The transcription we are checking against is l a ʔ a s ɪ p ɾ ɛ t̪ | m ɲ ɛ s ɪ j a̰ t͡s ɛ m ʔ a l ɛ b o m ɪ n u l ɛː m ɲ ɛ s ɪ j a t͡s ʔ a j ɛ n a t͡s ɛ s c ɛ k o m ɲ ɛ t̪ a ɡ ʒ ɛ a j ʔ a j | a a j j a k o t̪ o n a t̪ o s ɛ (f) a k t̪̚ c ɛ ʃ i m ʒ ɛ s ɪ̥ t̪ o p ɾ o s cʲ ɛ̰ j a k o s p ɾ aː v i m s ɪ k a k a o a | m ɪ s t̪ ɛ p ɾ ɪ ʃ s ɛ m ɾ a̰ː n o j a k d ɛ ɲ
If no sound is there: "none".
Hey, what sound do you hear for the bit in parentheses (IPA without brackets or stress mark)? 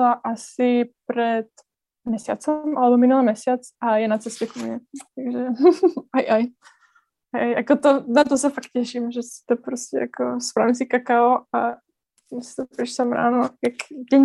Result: f